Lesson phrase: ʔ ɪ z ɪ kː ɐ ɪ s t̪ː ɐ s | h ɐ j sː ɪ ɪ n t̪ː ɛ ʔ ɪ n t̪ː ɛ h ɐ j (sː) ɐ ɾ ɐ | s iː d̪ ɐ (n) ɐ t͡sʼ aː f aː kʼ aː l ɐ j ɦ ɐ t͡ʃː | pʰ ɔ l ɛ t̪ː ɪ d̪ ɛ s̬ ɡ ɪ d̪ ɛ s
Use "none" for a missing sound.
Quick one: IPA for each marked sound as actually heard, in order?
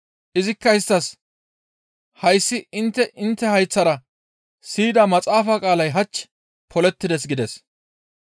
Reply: t͡sː, m

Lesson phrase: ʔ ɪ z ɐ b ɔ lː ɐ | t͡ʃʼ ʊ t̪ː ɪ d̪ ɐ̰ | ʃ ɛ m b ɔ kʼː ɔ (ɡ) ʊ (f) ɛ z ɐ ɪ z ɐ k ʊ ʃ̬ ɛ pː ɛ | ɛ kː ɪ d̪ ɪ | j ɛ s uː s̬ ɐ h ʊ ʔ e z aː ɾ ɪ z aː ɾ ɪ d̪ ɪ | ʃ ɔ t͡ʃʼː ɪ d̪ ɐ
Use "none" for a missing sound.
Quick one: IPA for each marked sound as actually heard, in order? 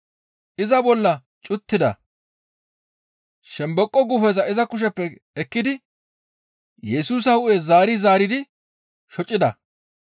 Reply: ɡ, f

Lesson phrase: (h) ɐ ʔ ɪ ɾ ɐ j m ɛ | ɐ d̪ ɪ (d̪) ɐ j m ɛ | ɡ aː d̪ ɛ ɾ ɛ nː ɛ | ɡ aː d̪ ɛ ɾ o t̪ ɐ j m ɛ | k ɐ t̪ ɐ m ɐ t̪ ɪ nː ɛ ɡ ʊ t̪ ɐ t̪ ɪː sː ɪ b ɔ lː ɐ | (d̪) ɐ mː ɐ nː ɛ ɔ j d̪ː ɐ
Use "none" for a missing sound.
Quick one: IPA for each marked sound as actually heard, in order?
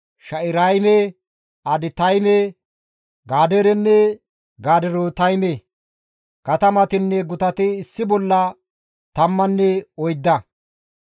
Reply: ʃ, t̪, t̪

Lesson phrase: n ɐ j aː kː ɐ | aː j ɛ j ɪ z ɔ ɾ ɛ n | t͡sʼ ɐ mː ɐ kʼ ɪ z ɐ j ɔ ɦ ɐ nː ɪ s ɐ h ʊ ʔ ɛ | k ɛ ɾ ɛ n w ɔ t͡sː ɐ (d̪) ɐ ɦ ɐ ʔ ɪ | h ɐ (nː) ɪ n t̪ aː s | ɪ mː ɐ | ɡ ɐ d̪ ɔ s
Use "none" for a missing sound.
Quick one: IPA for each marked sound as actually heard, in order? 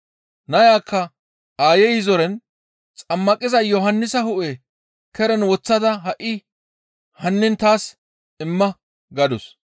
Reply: d̪, nː

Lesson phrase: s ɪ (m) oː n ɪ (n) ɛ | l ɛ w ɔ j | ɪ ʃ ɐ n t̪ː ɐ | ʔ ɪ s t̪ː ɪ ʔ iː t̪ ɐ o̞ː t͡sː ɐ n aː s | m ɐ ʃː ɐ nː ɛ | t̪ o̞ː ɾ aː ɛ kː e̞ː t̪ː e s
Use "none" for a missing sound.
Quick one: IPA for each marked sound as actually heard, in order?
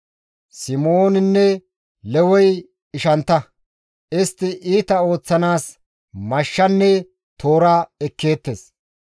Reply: m, nː

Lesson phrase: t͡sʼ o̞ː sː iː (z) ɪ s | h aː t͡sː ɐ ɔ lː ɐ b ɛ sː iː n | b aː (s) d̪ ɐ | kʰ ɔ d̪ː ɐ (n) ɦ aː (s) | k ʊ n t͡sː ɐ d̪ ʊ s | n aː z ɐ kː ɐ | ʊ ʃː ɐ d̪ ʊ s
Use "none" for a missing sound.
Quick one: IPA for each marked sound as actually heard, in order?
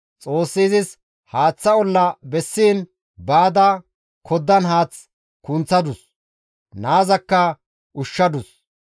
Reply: z, none, n, t͡s

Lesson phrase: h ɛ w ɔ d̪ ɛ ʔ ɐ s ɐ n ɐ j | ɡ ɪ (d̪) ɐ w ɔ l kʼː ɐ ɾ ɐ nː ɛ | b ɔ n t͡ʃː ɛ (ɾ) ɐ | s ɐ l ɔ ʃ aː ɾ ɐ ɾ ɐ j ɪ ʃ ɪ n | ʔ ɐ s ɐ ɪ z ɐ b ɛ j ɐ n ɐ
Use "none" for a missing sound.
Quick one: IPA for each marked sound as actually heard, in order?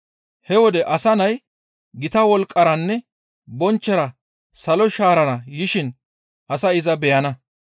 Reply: t̪, ɾ

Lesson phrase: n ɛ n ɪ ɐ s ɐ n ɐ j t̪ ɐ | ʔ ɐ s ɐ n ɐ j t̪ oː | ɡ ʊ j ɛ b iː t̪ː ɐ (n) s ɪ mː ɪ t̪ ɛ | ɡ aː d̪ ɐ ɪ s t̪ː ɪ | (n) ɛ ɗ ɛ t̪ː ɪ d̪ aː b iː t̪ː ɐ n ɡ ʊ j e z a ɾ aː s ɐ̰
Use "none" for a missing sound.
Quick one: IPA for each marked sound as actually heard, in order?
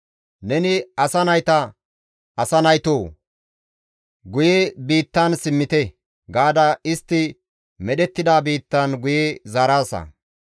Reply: n, m

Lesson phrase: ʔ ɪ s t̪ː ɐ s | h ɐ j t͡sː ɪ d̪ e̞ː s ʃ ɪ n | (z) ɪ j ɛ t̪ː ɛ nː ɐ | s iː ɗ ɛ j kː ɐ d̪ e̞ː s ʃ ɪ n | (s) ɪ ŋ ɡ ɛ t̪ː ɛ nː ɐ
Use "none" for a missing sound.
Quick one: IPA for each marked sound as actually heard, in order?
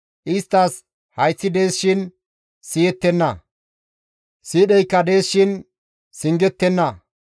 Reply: s, s

